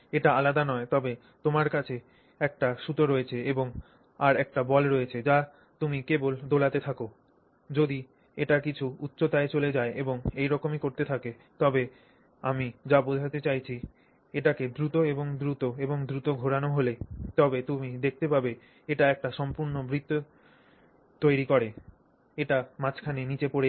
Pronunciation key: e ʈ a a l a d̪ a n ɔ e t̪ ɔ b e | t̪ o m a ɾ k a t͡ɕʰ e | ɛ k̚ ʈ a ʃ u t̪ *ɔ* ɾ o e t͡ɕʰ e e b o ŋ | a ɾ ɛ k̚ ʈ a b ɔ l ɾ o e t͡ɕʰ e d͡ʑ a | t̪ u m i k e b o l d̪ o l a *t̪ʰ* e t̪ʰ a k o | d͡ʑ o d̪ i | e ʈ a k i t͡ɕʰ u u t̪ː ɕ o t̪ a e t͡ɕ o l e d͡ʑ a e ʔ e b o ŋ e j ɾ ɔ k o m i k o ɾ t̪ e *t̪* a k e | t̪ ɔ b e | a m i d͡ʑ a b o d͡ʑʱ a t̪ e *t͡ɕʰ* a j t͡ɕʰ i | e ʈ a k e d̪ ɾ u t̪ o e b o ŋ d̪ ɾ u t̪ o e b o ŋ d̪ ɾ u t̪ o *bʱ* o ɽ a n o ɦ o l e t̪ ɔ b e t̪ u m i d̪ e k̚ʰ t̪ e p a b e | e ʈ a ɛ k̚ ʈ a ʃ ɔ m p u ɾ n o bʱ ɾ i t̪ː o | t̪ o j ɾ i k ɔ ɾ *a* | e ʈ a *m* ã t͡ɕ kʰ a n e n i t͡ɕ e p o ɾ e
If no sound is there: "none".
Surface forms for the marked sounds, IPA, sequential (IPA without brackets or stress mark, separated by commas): o, t̪, t̪ʰ, t͡ɕ, ɡʱ, e, m